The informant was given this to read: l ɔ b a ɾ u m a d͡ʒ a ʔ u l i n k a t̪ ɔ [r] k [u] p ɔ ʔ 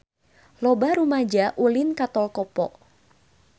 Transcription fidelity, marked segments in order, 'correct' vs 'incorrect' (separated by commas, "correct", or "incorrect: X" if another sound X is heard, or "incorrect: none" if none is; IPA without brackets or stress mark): incorrect: l, incorrect: ɔ